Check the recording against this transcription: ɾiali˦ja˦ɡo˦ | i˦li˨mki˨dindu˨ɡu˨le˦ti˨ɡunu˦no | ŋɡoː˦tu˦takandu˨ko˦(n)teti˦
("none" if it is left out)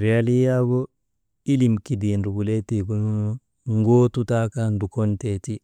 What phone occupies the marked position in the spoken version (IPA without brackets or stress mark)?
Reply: n